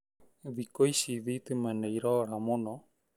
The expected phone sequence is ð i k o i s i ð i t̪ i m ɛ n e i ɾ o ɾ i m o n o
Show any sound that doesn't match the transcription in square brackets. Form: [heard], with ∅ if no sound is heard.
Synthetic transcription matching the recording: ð i k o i s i ð i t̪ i m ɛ n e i ɾ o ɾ [a] m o n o